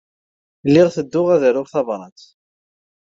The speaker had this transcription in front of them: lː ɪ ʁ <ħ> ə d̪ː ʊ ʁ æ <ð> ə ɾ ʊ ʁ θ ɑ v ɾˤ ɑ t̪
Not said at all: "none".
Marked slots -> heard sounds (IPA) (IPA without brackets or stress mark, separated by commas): θ, ð